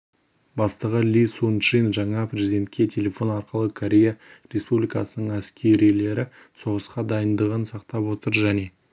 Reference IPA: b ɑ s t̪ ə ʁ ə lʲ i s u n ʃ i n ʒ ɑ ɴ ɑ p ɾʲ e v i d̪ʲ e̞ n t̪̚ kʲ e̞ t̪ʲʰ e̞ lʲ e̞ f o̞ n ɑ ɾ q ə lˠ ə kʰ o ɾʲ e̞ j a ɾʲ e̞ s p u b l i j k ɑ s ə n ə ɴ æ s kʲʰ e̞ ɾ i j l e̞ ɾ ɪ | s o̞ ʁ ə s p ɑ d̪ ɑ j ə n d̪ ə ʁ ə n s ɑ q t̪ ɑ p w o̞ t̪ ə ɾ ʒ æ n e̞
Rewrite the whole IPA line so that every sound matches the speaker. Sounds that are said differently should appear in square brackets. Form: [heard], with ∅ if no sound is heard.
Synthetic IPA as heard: b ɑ s t̪ ə ʁ ə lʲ i s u n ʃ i n ʒ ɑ ɴ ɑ p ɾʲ e [z] i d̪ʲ e̞ n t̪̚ kʲ e̞ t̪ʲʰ e̞ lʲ e̞ f o̞ n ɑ ɾ q ə lˠ ə kʰ o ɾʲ e̞ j a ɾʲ e̞ s p u b l i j k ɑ s ə n ə ɴ æ s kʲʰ e̞ ɾ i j l e̞ ɾ ɪ | s o̞ ʁ ə s [q] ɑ d̪ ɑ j ə n d̪ ə ʁ ə n s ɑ q t̪ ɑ p w o̞ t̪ ə ɾ ʒ æ n e̞

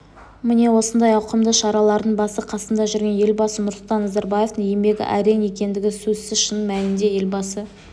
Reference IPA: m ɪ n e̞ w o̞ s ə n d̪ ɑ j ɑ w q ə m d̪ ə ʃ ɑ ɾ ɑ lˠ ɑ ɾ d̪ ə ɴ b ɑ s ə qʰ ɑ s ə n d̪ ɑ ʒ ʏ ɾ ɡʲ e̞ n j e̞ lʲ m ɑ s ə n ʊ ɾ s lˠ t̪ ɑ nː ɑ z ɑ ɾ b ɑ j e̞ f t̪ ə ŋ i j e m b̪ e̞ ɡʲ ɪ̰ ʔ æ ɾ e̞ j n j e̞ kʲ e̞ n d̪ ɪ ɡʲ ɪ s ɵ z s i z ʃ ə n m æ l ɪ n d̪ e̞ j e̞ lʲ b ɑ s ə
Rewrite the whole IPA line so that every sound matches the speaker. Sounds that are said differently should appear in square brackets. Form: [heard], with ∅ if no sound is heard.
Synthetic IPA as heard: m ɪ n e̞ w o̞ s ə n d̪ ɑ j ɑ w q ə m d̪ ə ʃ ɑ ɾ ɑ lˠ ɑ ɾ d̪ ə ɴ b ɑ s ə qʰ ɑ s ə n d̪ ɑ ʒ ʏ ɾ ɡʲ e̞ n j e̞ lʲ [b] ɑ s ə n ʊ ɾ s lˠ t̪ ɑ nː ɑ z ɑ ɾ b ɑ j e̞ f t̪ ə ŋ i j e m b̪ e̞ ɡʲ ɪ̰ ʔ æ ɾ e̞ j n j e̞ kʲ e̞ n d̪ ɪ ɡʲ ɪ s ɵ z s [ɪ] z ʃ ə n m æ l ɪ n d̪ e̞ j e̞ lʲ b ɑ s ə

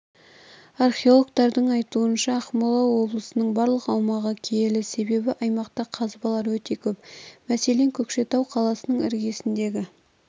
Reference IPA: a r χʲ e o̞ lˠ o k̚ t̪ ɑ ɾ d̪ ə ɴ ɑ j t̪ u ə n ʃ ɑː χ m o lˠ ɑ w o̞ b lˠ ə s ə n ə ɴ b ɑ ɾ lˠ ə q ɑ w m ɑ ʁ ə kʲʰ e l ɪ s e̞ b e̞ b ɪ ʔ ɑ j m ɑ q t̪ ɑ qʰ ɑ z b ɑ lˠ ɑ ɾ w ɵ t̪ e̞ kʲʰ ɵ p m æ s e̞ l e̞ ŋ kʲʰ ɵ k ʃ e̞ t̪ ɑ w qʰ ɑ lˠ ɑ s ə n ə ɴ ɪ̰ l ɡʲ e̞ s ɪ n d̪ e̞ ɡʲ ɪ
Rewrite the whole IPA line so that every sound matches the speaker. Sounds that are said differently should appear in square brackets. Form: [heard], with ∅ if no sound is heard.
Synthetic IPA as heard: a r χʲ e o̞ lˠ o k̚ t̪ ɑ ɾ d̪ ə ɴ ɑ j t̪ u ə n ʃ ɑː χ m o lˠ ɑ w o̞ b lˠ ə s ə n ə ɴ b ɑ ɾ lˠ ə q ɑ w m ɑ ʁ ə kʲʰ e l ɪ s e̞ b e̞ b ɪ ʔ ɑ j m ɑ q t̪ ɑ qʰ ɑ z b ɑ lˠ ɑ ɾ w ɵ t̪ e̞ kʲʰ ɵ p m æ s e̞ l e̞ ŋ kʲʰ ɵ k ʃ e̞ t̪ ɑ w qʰ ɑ lˠ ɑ s ə n ə ɴ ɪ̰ [ɾ] ɡʲ e̞ s ɪ n d̪ e̞ ɡʲ ɪ

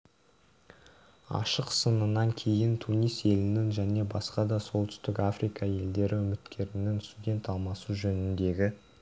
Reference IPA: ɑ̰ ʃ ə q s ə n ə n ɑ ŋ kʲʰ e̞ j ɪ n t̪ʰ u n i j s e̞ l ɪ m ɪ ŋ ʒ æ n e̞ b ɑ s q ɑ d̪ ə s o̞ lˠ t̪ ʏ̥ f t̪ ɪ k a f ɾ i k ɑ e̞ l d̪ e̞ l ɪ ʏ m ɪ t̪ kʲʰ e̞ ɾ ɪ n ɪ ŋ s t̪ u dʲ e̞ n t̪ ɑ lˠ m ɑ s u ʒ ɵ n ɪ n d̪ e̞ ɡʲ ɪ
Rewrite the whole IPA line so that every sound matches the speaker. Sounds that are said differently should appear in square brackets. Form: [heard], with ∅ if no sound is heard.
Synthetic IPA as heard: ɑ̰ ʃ ə q s ə n ə n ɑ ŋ kʲʰ e̞ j ɪ n t̪ʰ u n i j s e̞ l ɪ [n] ɪ ŋ ʒ æ n e̞ b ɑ s q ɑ d̪ [ɑ] s o̞ lˠ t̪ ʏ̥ [s] t̪ ɪ k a f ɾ i k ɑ e̞ l d̪ e̞ [ɾ] ɪ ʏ m ɪ t̪ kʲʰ e̞ ɾ ɪ n ɪ ŋ s t̪ u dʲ e̞ n t̪ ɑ lˠ m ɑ s u ʒ ɵ n ɪ n d̪ e̞ ɡʲ ɪ

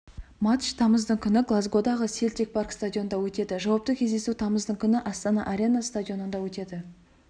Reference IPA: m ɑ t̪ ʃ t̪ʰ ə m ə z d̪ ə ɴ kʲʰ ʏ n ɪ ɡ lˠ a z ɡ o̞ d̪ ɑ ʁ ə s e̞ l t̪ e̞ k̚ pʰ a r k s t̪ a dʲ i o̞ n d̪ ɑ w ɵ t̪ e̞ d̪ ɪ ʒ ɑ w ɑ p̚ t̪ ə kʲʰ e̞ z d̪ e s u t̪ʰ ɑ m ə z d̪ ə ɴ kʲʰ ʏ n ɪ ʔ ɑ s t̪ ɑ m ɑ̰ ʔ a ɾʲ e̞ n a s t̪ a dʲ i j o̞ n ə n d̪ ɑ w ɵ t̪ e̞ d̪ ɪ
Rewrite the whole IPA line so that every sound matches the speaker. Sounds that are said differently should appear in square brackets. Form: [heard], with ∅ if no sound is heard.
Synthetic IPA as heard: m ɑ t̪ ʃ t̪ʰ [ɑ] m ə z d̪ ə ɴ kʲʰ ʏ n ɪ ɡ lˠ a z ɡ o̞ d̪ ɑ ʁ ə s e̞ l t̪ e̞ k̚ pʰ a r k s t̪ a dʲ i o̞ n d̪ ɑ w ɵ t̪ e̞ d̪ ɪ ʒ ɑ w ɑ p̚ t̪ ə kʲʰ e̞ z d̪ e s u t̪ʰ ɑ m ə z d̪ ə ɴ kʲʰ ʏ n ɪ ʔ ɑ s t̪ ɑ [n] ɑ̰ ʔ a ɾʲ e̞ n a s t̪ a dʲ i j o̞ n ə n d̪ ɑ w ɵ t̪ e̞ d̪ ɪ

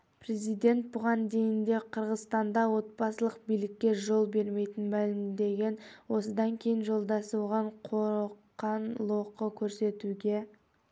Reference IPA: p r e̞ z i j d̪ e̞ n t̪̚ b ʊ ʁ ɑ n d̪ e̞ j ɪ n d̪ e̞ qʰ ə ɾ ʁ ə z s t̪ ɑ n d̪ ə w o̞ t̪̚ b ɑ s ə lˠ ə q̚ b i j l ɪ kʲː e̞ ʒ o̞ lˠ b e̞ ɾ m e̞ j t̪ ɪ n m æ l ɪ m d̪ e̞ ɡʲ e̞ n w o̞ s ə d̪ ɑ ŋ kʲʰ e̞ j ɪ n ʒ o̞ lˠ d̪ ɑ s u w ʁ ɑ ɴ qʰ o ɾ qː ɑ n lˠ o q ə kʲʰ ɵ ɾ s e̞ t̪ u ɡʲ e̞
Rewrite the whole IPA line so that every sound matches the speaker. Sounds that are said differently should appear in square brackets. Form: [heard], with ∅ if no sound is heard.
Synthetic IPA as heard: p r e̞ z i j d̪ e̞ n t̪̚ b ʊ ʁ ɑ n d̪ e̞ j ɪ n d̪ e̞ qʰ ə ɾ ʁ ə z s t̪ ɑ n d̪ [ɑ] w o̞ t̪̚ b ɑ s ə lˠ ə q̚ b i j l ɪ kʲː e̞ ʒ o̞ lˠ b e̞ ɾ m e̞ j t̪ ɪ n m æ l ɪ m d̪ e̞ ɡʲ e̞ n w o̞ s ə d̪ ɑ ŋ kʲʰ e̞ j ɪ n ʒ o̞ lˠ d̪ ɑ s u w ʁ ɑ ɴ qʰ o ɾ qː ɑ n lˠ o q ə kʲʰ ɵ ɾ s e̞ t̪ u ɡʲ e̞

